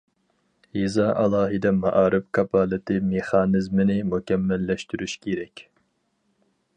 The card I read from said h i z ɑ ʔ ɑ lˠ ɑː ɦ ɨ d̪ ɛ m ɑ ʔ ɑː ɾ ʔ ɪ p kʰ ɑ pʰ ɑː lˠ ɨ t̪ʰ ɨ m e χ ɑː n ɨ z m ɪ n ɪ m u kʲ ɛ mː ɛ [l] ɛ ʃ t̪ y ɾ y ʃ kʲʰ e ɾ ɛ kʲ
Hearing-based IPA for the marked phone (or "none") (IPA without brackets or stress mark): lː